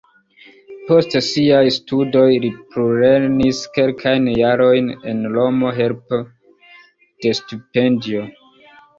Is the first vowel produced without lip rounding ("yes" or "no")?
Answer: no